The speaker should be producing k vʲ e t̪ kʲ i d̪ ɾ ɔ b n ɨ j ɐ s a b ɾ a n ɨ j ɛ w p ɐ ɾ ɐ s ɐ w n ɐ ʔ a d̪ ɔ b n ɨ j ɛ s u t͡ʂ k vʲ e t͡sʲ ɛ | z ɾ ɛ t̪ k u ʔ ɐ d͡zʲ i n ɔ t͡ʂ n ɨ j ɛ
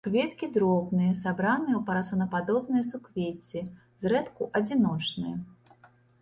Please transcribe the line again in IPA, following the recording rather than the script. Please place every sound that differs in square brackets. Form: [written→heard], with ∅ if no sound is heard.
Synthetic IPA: k vʲ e t̪ kʲ i d̪ ɾ ɔ b n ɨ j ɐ s a b ɾ a n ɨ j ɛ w p ɐ ɾ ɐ s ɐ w n ɐ [ʔ→p] a d̪ ɔ b n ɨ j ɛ s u [t͡ʂ→∅] k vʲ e t͡sʲ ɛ | z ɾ ɛ t̪ k u ʔ ɐ d͡zʲ i n ɔ t͡ʂ n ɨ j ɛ